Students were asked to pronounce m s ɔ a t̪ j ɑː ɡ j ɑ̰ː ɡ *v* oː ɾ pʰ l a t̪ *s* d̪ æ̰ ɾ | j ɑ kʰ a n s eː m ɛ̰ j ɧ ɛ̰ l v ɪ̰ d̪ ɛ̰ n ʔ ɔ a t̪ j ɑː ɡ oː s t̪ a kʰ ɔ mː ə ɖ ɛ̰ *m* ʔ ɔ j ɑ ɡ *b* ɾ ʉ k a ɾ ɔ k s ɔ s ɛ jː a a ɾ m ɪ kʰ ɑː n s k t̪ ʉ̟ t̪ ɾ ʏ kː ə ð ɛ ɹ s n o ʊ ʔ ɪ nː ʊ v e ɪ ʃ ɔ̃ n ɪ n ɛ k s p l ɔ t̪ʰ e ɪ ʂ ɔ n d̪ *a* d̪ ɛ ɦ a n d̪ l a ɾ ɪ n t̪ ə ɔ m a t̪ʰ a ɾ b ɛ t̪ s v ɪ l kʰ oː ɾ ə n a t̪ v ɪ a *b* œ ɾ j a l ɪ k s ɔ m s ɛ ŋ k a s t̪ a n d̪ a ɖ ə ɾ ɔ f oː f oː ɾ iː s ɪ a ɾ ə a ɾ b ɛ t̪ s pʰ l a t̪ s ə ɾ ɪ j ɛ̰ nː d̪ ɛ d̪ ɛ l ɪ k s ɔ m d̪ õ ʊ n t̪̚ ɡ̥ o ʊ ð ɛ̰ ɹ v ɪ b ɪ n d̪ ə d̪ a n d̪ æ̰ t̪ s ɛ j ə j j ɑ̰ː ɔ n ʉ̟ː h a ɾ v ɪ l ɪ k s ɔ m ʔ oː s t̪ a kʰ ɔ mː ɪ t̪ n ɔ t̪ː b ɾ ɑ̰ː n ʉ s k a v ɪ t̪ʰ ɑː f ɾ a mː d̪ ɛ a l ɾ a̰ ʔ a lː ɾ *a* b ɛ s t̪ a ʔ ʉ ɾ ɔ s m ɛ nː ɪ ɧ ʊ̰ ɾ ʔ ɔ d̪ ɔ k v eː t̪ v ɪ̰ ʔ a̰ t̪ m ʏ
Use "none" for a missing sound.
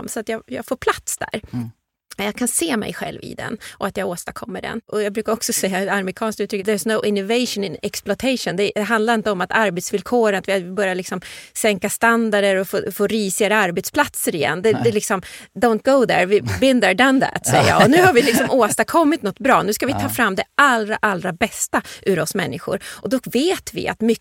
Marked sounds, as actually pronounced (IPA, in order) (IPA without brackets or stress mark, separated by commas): f, s, n, b, ɛ, b, a